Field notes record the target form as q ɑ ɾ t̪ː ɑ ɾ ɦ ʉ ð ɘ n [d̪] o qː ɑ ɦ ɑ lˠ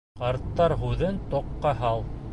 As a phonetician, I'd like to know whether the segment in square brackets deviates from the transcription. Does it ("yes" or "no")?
yes